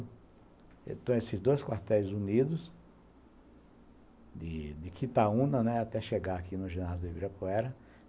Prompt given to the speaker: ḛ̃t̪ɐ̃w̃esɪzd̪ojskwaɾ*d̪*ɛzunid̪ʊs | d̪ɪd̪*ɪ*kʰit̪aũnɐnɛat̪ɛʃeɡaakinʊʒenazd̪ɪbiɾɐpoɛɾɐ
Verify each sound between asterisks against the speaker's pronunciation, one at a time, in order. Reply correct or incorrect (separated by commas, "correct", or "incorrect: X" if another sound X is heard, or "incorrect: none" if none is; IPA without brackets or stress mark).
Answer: incorrect: t̪, correct